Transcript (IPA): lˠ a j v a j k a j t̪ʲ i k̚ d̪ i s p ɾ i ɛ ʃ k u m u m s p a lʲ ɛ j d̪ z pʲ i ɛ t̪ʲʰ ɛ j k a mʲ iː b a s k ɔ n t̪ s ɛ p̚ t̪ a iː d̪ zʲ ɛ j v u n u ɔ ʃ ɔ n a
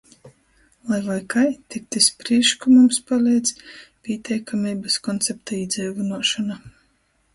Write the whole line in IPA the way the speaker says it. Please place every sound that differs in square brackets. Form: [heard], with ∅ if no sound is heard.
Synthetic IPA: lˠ a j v a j k a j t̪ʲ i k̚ [t̪] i s p ɾ i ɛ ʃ k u m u m s p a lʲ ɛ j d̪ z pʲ i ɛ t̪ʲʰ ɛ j k a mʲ iː b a s k ɔ n t̪ s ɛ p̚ t̪ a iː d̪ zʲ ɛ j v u n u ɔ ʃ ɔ n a